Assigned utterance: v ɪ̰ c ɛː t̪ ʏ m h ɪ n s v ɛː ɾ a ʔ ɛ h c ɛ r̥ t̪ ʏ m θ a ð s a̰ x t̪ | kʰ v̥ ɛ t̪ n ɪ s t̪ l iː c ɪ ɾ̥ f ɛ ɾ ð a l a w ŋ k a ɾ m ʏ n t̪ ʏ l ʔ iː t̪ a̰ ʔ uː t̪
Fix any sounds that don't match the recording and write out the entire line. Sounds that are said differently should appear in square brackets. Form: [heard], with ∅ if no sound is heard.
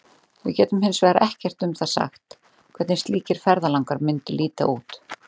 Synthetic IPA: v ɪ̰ c ɛː t̪ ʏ m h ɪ n s v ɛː ɾ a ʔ ɛ h c ɛ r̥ t̪ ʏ m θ a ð s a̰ x t̪ | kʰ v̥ ɛ t̪ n ɪ s t̪ l iː c ɪ ɾ̥ f ɛ ɾ ð a l a w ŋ k a ɾ m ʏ n t̪ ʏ l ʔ iː t̪ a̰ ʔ uː t̪